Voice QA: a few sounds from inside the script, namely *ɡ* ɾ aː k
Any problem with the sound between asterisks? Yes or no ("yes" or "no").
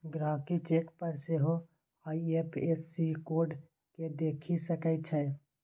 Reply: no